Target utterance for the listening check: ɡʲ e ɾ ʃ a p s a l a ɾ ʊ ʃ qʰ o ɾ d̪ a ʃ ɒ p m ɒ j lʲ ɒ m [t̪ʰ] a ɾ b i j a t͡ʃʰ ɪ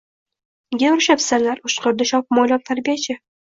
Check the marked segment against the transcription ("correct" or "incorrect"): correct